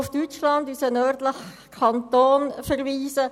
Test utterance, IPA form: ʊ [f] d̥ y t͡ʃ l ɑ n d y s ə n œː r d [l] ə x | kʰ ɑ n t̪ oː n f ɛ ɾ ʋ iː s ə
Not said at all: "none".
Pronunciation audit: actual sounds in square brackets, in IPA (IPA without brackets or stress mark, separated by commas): f, l